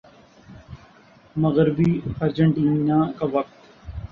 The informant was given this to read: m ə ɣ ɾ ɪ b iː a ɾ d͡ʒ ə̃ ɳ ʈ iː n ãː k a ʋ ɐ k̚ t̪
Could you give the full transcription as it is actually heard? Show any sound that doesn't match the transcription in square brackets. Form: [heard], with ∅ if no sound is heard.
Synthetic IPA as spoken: m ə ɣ ɾ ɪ b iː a ɾ d͡ʒ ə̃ ɳ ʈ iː n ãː k a ʋ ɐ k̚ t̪